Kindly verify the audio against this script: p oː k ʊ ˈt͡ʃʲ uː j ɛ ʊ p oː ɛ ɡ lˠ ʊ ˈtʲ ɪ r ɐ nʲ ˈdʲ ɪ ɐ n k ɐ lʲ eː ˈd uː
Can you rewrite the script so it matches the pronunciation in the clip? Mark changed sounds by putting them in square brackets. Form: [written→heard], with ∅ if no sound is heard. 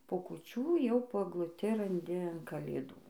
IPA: p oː k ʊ ˈt͡ʃʲ uː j ɛ ʊ p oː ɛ ɡ lˠ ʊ ˈtʲ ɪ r ɐ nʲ ˈdʲ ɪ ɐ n k ɐ lʲ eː ˈd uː